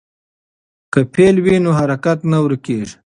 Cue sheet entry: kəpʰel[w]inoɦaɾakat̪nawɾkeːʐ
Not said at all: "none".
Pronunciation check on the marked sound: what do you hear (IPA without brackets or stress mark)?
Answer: w